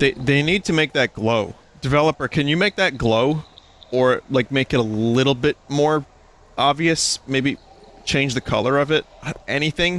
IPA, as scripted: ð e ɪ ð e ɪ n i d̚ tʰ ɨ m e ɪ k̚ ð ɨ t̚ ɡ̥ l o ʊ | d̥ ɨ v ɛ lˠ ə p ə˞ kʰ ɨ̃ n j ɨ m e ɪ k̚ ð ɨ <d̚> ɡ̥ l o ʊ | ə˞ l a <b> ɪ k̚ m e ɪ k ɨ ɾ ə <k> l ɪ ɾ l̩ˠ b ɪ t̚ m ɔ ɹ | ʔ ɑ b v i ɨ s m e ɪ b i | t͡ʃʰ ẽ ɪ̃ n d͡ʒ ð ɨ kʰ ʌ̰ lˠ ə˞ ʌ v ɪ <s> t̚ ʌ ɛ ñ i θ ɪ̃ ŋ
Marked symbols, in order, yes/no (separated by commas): no, no, no, no